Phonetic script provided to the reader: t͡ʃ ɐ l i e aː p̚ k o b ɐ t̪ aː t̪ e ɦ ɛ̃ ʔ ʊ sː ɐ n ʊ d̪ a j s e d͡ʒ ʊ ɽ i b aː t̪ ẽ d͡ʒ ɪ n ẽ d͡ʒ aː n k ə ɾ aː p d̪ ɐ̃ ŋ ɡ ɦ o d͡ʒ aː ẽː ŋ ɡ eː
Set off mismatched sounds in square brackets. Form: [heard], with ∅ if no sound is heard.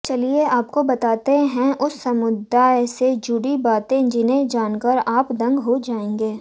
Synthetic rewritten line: t͡ʃ ɐ l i e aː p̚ k o b ɐ t̪ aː t̪ e ɦ ɛ̃ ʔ ʊ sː ɐ [m] ʊ d̪ a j s e d͡ʒ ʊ ɽ i b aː t̪ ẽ d͡ʒ ɪ n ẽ d͡ʒ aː n k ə ɾ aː p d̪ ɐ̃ ŋ ɡ ɦ o d͡ʒ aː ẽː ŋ ɡ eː